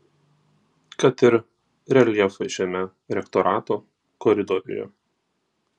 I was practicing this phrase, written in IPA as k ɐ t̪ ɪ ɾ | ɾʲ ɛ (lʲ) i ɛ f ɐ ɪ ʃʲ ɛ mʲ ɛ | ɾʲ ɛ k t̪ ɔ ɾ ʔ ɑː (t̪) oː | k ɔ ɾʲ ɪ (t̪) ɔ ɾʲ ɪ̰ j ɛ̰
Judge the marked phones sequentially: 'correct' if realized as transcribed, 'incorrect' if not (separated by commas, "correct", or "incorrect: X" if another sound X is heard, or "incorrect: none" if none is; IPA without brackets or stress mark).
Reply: correct, correct, incorrect: d̪